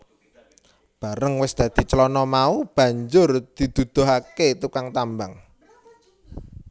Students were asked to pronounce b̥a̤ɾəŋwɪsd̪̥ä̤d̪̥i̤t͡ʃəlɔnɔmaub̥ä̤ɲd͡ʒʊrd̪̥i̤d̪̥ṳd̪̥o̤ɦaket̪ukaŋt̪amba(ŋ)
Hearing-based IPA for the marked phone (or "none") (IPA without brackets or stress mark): ŋ